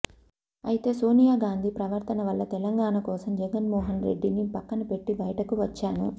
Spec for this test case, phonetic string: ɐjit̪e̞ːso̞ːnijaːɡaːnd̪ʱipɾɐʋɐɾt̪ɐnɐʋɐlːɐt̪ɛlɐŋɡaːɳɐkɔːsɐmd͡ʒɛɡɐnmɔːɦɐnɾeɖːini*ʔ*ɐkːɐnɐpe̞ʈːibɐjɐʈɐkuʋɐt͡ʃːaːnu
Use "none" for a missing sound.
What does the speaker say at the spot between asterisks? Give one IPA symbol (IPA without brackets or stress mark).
p